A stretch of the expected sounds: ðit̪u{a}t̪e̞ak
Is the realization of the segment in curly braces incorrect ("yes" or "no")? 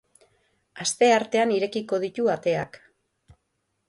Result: no